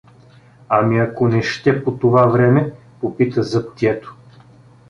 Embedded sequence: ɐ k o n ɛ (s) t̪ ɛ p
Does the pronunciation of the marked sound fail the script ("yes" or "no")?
yes